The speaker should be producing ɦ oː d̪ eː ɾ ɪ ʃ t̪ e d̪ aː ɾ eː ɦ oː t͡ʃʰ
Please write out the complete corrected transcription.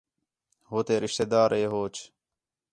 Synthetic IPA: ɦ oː t̪ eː ɾ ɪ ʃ t̪ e d̪ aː ɾ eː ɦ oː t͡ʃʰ